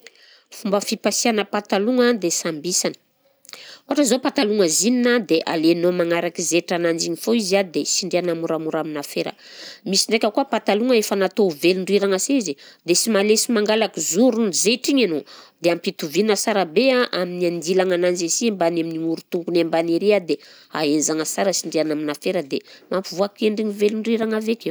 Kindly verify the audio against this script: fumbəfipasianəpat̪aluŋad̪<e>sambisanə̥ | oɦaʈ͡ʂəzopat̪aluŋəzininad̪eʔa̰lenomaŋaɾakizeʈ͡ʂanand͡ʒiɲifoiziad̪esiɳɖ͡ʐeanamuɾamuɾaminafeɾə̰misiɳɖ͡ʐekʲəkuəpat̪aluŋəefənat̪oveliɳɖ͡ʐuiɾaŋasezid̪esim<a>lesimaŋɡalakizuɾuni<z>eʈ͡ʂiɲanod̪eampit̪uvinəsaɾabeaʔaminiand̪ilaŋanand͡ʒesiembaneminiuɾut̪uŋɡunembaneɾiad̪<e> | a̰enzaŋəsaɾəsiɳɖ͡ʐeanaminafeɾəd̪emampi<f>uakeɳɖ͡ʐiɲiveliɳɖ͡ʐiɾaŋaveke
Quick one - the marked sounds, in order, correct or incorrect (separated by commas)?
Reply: correct, correct, correct, correct, incorrect